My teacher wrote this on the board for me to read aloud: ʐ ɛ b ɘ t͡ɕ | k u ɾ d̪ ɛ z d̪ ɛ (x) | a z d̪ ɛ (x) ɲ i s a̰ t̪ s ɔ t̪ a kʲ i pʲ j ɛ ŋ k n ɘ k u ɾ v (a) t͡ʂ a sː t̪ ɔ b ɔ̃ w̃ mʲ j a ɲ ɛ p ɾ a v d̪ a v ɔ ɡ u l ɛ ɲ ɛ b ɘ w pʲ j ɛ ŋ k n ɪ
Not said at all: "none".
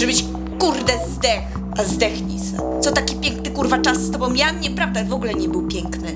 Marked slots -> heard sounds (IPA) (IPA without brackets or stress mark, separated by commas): x, x, a